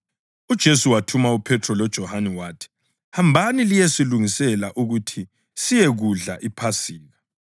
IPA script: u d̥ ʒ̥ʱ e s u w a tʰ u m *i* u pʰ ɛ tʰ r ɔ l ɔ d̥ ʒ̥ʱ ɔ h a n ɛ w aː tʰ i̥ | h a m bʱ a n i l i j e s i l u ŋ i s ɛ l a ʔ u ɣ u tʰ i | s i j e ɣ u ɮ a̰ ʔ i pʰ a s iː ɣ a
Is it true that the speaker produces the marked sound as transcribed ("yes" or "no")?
no